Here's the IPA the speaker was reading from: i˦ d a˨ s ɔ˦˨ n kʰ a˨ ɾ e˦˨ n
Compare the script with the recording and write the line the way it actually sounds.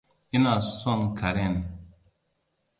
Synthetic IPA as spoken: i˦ n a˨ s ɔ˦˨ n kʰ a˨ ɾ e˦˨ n